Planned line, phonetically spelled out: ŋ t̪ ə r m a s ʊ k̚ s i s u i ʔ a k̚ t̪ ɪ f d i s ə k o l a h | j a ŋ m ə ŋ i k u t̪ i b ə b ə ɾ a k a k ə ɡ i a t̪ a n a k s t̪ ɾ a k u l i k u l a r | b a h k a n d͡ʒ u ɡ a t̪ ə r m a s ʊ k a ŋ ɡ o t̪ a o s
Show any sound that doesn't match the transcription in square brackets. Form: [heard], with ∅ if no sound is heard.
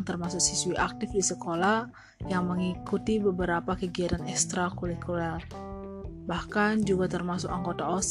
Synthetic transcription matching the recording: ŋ t̪ ə r m a s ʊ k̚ s i s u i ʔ a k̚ t̪ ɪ f d i s ə k o l a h | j a ŋ m ə ŋ i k u t̪ i b ə b ə ɾ a [p] a k ə ɡ i a t̪ a n [ɛ] k s t̪ ɾ a k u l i k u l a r | b a h k a n d͡ʒ u ɡ a t̪ ə r m a s ʊ k a ŋ ɡ o t̪ a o s